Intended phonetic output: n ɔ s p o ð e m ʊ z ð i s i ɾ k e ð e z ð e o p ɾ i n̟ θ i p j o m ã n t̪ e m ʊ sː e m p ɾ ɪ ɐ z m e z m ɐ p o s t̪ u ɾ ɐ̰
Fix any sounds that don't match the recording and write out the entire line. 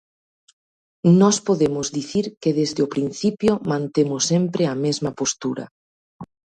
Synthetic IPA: n ɔ s p o ð e m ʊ z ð i θ i ɾ k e ð e z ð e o p ɾ i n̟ θ i p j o m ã n t̪ e m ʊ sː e m p ɾ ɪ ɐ m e z m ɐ p o s t̪ u ɾ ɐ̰